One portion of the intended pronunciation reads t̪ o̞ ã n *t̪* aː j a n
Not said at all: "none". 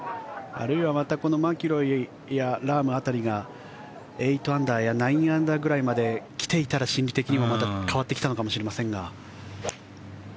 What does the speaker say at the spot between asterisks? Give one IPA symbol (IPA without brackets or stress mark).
d̪